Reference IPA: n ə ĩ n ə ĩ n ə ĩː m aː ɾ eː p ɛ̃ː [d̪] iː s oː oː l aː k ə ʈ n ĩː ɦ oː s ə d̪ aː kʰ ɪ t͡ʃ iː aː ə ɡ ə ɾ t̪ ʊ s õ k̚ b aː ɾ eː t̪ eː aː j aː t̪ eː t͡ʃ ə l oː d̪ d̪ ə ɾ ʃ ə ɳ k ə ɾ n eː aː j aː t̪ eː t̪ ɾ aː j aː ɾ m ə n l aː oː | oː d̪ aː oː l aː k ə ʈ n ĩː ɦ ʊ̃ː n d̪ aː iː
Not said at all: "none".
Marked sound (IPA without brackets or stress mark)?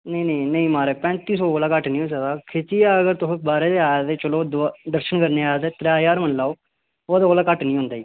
t̪